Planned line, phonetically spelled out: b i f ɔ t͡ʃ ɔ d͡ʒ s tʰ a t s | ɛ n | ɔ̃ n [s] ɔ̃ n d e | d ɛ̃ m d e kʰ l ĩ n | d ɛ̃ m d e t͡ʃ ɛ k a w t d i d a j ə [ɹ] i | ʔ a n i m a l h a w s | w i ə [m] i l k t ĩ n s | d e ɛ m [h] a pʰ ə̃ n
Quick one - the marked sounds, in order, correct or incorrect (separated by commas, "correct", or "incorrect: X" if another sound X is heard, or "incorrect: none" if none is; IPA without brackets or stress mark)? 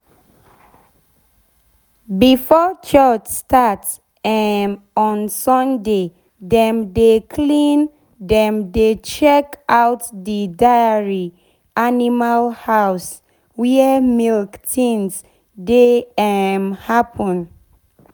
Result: correct, correct, correct, correct